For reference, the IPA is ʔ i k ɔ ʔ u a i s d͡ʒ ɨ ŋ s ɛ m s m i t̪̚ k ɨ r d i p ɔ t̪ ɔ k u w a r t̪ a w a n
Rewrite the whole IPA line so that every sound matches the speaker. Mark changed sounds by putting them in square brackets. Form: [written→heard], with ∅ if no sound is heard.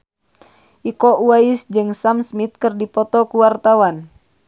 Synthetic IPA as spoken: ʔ i k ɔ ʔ u a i s d͡ʒ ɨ ŋ s [ɛ→a] m s m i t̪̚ k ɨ r d i p ɔ t̪ ɔ k u w a r t̪ a w a n